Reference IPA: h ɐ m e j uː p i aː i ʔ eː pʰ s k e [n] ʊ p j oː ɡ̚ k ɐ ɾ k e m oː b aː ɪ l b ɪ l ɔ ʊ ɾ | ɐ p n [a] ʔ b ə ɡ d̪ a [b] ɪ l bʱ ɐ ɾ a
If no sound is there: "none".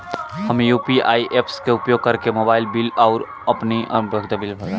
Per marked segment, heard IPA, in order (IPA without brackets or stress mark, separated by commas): none, i, b